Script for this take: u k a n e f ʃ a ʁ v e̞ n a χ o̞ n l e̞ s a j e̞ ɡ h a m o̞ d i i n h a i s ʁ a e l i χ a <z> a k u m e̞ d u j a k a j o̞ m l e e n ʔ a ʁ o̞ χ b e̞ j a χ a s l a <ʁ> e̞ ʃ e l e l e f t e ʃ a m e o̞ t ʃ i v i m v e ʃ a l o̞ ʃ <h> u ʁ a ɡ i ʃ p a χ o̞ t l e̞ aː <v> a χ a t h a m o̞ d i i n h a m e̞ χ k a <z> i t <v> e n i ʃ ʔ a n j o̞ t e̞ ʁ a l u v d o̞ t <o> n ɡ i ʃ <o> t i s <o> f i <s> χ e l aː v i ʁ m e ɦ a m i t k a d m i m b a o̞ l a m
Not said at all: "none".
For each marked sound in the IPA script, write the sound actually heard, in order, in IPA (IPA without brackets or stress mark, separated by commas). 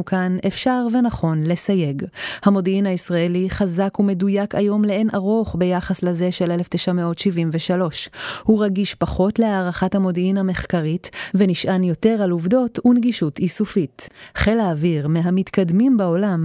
z, z, h, ʁ, ʁ, v, u, u, u, t